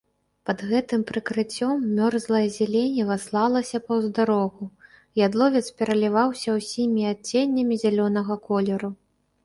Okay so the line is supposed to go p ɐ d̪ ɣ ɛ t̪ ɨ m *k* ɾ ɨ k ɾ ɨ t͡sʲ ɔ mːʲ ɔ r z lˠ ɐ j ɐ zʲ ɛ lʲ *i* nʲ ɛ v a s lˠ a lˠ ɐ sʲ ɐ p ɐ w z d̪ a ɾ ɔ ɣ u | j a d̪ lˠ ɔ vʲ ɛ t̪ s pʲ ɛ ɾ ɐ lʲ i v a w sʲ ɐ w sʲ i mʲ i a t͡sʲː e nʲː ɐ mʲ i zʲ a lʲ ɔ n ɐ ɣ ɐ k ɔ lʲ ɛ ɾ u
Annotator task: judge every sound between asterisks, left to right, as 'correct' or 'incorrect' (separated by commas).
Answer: incorrect, incorrect